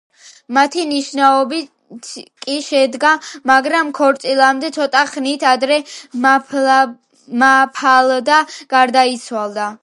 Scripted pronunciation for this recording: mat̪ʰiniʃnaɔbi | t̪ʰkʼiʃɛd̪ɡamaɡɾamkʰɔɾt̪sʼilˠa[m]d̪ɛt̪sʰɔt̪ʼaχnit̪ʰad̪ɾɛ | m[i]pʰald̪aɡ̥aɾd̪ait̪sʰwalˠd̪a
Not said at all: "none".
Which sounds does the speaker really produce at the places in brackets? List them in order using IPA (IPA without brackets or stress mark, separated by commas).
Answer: m, a